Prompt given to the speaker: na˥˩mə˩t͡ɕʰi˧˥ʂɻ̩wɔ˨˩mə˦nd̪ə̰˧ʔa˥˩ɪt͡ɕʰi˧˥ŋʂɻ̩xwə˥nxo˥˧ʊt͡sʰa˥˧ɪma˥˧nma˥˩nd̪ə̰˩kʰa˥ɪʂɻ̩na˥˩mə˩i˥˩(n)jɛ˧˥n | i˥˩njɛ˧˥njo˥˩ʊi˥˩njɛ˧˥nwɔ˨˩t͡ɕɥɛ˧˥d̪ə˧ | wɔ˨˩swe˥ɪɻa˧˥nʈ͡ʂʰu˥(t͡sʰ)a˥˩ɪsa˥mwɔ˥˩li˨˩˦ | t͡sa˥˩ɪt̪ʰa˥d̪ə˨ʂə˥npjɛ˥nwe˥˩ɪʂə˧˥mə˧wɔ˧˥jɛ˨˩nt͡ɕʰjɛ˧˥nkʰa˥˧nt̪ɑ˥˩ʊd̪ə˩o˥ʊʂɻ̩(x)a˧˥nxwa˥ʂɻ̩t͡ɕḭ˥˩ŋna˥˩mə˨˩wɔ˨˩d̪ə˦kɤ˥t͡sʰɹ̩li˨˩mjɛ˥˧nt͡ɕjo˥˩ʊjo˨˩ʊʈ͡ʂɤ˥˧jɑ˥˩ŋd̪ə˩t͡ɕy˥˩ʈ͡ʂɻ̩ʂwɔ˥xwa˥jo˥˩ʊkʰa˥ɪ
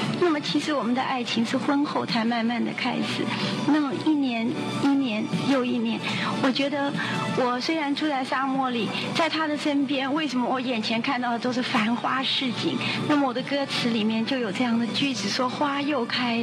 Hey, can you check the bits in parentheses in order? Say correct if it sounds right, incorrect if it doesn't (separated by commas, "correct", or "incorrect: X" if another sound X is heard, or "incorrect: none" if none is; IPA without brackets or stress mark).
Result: correct, incorrect: t͡s, incorrect: f